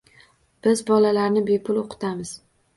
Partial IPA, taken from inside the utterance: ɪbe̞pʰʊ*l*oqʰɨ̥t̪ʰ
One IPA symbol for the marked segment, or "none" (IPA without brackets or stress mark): l